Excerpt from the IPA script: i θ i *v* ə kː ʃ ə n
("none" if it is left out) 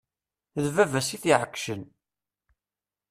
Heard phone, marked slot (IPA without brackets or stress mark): ʕ